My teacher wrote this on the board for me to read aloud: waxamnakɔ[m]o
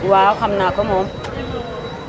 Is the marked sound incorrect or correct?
correct